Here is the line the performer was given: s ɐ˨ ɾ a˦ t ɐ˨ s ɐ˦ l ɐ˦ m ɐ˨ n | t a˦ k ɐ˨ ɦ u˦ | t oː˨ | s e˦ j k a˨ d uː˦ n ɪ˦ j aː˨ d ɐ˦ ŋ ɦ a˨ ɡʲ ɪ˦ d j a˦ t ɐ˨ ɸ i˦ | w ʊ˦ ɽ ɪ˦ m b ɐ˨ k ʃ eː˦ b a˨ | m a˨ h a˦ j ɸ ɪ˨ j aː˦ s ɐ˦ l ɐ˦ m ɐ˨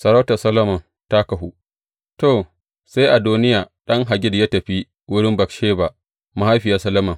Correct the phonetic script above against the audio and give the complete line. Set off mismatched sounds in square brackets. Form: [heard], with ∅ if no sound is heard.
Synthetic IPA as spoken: s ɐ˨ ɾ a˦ t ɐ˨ s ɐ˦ l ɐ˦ m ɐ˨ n | t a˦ k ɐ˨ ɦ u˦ | t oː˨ | s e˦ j [ʔ] a˨ d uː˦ n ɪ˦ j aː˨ [ɗ] ɐ˦ ŋ ɦ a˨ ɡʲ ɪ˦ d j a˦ t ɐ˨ ɸ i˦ | w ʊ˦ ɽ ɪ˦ m b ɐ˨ k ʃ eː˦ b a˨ | m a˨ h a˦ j ɸ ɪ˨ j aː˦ s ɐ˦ l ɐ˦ m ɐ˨